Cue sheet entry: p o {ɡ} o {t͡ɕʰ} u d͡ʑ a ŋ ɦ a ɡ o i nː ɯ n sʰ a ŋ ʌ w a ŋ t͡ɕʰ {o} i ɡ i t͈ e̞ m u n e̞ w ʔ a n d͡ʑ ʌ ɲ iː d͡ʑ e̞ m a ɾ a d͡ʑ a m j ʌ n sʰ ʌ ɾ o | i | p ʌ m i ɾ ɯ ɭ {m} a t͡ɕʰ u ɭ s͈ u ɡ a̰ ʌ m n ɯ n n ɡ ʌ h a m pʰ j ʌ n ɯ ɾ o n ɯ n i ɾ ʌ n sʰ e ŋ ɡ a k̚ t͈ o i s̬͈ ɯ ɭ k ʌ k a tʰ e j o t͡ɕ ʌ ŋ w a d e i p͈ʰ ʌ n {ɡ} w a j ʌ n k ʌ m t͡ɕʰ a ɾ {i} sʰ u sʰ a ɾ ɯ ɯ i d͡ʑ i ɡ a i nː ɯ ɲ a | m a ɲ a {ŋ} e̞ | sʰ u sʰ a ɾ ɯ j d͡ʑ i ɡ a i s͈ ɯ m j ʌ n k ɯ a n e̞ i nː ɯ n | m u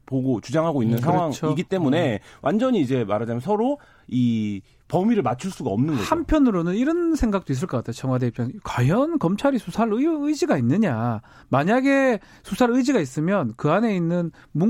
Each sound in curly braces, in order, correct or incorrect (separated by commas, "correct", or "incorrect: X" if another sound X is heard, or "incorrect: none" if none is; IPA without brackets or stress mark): correct, incorrect: t͡ɕ, correct, correct, incorrect: k, correct, incorrect: ɡ